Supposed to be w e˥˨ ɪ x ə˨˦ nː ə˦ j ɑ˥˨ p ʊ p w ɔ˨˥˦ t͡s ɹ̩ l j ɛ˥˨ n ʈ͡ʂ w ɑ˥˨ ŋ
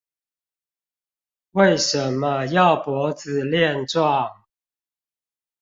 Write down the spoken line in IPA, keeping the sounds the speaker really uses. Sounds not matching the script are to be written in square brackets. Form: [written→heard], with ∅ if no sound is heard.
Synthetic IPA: w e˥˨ ɪ [x→ʂ] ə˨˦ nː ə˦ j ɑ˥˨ [p→∅] ʊ p w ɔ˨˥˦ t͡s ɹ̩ l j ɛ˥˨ n ʈ͡ʂ w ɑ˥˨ ŋ

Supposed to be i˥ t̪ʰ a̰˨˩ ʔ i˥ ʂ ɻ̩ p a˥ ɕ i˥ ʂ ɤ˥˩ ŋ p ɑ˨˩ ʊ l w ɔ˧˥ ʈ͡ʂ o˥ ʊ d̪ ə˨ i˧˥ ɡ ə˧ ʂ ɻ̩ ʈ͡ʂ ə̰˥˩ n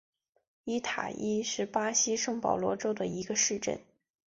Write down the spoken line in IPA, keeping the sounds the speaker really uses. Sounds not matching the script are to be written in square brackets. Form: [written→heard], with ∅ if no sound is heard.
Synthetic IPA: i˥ t̪ʰ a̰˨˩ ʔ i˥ ʂ ɻ̩ p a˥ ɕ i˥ ʂ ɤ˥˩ ŋ p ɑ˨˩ ʊ l w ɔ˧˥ ʈ͡ʂ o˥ ʊ d̪ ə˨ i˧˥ ɡ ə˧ ʂ ɻ̩ ʈ͡ʂ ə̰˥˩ n

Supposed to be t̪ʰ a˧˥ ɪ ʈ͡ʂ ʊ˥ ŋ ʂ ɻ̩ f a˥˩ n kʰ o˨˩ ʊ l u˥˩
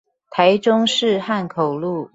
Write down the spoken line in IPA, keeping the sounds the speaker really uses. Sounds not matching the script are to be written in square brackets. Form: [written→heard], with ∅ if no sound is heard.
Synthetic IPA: t̪ʰ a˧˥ ɪ ʈ͡ʂ ʊ˥ ŋ ʂ ɻ̩ [f→x] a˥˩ n kʰ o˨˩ ʊ l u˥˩

